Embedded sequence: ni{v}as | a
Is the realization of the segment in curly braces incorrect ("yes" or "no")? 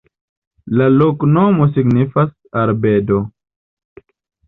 yes